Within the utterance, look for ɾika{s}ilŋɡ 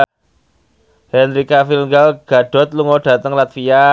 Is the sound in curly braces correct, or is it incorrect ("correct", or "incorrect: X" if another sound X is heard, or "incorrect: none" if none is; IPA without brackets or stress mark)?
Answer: incorrect: f